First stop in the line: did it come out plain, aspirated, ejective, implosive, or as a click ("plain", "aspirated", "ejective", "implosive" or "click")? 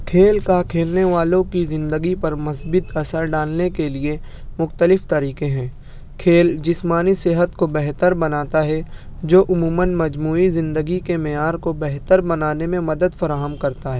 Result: aspirated